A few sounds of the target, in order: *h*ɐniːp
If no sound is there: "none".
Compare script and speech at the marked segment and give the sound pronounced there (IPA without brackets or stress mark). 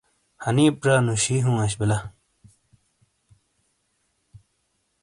h